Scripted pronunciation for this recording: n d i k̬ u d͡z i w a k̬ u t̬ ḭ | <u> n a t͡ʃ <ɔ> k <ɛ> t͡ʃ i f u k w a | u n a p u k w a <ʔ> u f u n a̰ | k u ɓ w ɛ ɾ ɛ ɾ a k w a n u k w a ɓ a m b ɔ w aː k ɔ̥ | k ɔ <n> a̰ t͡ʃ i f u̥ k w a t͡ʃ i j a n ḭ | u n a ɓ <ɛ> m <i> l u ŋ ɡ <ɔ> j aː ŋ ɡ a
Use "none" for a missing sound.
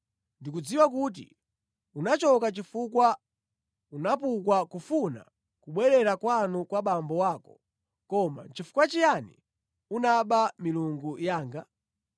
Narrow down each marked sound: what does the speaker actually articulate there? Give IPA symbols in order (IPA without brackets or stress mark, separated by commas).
u, ɔ, a, k, m, a, i, u